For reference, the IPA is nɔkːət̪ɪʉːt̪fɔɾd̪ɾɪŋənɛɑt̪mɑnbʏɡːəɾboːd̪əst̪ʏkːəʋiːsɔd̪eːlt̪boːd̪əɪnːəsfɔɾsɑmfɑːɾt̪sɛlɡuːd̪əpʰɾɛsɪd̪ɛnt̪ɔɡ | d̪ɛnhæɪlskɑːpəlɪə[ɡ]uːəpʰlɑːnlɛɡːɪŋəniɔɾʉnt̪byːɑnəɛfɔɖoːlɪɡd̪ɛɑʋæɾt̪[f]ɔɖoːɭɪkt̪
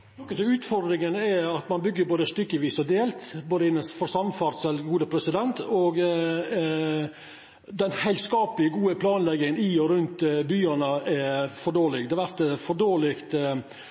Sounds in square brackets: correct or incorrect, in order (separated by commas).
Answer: correct, correct